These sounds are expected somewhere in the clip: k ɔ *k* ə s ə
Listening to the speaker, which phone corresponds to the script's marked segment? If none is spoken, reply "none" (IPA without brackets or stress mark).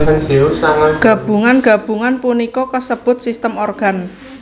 k